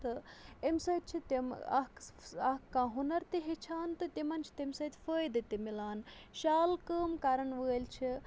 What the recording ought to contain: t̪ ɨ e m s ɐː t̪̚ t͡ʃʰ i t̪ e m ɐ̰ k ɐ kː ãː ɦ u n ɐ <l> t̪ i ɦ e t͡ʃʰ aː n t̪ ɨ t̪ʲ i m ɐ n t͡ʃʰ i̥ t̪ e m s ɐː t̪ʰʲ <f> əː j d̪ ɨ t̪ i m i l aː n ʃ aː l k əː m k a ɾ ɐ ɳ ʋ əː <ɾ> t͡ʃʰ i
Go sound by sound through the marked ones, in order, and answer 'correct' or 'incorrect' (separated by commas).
incorrect, correct, incorrect